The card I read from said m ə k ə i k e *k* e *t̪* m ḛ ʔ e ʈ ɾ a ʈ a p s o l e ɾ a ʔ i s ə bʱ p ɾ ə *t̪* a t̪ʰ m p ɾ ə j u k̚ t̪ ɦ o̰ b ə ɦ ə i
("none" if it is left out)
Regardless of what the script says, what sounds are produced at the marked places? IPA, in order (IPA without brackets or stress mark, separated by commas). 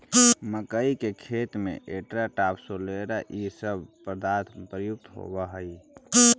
kʰ, t̪, d̪